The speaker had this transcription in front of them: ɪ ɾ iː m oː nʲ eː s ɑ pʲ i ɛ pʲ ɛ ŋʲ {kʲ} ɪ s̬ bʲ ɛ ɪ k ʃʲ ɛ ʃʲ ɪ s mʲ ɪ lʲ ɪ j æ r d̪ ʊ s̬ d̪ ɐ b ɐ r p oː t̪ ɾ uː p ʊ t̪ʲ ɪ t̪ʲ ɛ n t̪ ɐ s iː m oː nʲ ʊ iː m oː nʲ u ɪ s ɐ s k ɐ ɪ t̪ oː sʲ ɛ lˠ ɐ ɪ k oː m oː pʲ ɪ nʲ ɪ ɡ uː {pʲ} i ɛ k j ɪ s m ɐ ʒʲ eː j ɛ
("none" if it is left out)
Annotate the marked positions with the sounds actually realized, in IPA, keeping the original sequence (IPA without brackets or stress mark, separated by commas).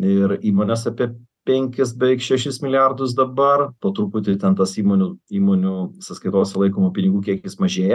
kʲ, kʲ